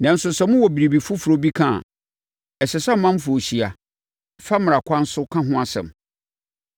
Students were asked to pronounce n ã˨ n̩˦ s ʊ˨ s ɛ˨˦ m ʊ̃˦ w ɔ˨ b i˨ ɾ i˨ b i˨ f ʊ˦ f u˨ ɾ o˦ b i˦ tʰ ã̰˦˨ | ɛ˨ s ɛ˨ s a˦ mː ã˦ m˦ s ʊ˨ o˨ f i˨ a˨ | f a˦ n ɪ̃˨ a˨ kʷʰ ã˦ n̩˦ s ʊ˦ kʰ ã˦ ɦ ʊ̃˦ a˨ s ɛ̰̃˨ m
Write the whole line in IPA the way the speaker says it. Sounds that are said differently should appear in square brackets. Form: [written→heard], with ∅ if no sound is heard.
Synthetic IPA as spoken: n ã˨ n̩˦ s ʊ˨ s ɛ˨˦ m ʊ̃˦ w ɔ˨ b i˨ ɾ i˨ b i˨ f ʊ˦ f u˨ ɾ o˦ b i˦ [tʰ→kʰ] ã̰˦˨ | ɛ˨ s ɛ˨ s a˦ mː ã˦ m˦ [s→f] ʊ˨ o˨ [f→ɕ] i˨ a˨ | f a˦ [n→m] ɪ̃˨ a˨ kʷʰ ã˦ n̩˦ s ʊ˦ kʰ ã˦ ɦ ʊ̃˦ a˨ s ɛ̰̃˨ m